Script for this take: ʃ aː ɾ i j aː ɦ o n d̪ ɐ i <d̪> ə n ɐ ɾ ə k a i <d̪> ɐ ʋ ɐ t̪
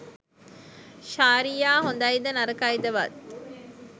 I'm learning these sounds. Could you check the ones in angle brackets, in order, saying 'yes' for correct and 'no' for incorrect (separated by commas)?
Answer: yes, yes